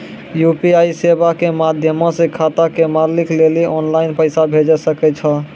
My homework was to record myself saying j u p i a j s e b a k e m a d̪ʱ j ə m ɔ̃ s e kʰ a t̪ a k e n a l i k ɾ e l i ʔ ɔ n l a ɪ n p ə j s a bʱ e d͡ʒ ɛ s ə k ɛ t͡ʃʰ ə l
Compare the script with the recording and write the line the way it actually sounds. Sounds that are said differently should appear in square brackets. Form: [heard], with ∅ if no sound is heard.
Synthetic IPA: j u p i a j s e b a k e m a d̪ʱ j ə m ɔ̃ s e kʰ a t̪ a k e [m] a l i k [l] e l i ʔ ɔ n l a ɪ n p ə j s a bʱ e d͡ʒ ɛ s ə k ɛ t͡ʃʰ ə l